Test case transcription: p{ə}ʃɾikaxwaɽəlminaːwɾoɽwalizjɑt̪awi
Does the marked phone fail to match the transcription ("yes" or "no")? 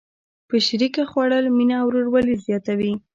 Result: no